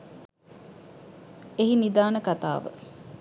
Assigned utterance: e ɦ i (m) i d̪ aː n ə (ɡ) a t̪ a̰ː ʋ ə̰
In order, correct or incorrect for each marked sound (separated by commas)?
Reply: incorrect, incorrect